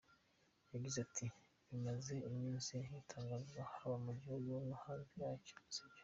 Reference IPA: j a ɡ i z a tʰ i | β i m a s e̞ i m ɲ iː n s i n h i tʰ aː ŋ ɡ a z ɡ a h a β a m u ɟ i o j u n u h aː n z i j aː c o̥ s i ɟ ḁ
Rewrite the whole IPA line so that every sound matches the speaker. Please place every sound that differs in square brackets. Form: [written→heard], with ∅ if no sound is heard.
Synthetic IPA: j a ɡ i z a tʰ i | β i m a [s→z] e̞ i m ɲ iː n s i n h i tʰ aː ŋ ɡ a z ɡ a h a β a m u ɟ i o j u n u h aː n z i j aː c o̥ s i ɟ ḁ